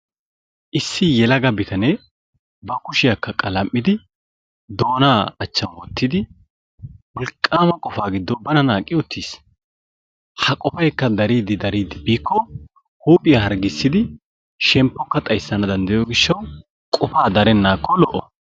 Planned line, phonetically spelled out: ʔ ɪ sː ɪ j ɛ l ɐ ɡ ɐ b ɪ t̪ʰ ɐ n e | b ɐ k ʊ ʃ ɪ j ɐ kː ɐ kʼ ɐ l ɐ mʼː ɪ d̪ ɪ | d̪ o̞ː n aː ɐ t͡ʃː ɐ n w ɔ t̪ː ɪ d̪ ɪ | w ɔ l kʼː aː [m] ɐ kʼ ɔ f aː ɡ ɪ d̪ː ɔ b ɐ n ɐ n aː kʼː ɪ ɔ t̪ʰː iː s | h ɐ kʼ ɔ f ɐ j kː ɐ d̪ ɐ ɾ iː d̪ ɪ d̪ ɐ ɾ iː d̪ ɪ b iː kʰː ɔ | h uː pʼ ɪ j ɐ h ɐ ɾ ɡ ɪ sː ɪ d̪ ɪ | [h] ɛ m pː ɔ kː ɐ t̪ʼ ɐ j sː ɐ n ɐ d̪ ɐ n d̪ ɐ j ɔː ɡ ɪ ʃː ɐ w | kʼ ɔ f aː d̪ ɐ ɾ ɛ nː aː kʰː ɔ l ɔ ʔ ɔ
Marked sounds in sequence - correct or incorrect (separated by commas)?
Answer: correct, incorrect